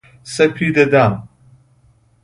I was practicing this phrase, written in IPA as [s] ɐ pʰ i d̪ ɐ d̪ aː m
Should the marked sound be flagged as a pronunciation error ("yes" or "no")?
no